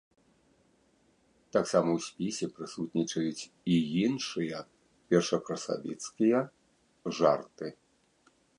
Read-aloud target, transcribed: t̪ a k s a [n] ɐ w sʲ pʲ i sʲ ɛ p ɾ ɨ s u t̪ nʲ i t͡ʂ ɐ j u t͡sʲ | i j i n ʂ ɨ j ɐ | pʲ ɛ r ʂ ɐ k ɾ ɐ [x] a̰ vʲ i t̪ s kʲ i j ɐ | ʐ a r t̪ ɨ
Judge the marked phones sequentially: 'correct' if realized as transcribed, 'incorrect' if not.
incorrect: m, incorrect: s

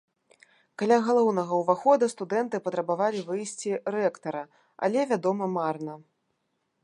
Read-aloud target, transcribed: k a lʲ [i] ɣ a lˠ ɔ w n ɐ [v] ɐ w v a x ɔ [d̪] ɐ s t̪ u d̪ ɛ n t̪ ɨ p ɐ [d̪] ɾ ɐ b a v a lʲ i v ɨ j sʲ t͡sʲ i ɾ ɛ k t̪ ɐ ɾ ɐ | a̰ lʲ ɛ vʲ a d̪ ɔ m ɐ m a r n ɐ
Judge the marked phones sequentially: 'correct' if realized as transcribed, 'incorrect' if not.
incorrect: a, incorrect: ɣ, correct, incorrect: t̪

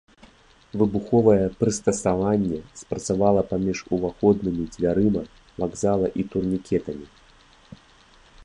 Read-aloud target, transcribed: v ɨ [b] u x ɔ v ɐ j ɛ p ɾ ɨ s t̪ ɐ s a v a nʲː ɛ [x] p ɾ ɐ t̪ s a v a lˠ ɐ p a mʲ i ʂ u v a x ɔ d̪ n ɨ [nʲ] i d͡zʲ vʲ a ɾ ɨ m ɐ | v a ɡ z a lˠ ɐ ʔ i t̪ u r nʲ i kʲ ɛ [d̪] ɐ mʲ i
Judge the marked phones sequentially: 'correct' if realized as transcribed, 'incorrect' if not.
correct, incorrect: s, incorrect: mʲ, incorrect: t̪

